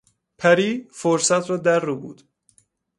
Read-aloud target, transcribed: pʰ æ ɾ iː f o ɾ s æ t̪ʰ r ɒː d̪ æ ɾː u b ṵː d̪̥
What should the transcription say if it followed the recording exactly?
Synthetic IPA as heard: pʰ æ ɾ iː f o ɾ s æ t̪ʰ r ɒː d̪ æ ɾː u b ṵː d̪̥